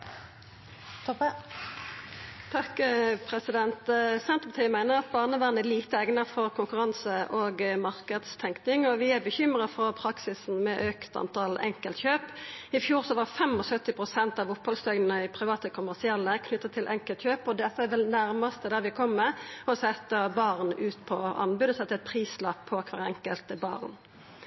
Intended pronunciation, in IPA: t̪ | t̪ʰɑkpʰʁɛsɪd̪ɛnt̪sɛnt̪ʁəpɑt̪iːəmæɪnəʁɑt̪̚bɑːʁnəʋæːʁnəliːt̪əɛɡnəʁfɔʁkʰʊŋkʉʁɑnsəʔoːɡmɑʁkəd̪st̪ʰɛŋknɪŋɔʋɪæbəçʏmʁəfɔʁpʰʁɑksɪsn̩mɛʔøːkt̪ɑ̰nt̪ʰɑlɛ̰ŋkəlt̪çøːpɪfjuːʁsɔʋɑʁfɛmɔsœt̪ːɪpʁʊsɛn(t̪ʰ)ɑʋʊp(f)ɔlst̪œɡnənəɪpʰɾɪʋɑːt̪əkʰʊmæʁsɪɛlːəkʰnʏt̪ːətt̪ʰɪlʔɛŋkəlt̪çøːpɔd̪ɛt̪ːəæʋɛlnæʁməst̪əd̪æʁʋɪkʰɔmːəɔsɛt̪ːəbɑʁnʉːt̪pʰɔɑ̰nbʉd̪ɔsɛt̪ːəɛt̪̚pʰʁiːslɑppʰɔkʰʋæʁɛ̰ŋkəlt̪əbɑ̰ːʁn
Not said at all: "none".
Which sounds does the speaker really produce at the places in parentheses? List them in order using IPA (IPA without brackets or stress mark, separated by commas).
t̪, h